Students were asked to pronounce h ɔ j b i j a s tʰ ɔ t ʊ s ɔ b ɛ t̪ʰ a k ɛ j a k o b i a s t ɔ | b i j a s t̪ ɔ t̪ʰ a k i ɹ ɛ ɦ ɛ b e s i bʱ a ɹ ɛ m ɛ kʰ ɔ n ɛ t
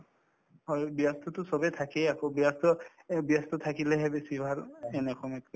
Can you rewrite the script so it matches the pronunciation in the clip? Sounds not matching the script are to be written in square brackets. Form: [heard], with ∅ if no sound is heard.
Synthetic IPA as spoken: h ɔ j b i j a s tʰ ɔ t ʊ s ɔ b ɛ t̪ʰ a k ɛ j a k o b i a s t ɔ | b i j a s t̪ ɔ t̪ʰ a k i [l] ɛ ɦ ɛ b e s i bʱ a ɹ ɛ [n] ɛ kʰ ɔ [m] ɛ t